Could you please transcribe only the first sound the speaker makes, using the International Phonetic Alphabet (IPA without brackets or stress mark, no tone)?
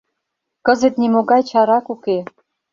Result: k